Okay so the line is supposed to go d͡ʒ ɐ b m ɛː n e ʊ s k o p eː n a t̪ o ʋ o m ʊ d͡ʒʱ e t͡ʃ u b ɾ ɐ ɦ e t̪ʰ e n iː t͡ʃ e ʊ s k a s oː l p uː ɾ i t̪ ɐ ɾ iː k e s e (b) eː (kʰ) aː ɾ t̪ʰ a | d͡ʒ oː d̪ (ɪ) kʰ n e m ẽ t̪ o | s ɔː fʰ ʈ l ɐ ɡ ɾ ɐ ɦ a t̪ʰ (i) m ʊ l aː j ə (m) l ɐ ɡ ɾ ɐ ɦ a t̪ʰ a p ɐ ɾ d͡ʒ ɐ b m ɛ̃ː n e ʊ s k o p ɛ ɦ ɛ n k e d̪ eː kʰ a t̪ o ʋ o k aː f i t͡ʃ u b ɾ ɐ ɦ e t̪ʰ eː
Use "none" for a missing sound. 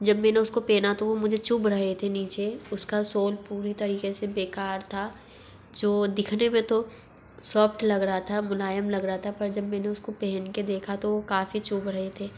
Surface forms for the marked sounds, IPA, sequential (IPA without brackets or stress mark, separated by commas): b, k, ɪ, a, m